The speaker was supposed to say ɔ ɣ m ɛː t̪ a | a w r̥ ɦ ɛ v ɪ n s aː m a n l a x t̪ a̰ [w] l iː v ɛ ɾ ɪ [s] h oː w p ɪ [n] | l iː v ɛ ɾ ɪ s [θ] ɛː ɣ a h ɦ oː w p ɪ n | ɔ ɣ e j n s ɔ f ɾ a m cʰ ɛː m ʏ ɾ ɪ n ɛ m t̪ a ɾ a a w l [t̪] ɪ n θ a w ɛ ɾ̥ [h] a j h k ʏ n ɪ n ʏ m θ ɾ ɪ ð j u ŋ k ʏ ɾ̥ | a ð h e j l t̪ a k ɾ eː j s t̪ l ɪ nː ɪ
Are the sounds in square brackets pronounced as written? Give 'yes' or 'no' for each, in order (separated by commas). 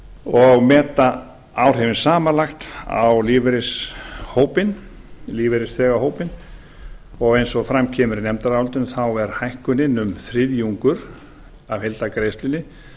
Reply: yes, yes, yes, yes, yes, yes